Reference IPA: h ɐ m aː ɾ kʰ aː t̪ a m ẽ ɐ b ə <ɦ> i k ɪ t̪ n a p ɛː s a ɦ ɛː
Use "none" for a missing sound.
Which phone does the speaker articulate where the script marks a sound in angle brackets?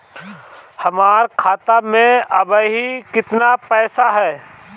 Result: ɦ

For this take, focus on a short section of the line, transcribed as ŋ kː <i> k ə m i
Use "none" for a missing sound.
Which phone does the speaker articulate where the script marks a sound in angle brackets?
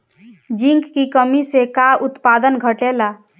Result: i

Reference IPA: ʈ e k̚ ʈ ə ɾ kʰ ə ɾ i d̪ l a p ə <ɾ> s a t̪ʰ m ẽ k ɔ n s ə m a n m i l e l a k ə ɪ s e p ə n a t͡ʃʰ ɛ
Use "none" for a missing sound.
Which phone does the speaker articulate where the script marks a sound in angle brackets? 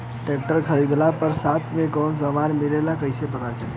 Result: ɾ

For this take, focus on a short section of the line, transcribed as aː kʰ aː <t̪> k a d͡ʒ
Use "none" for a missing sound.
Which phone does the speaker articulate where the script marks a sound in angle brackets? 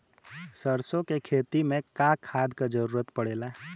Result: d̪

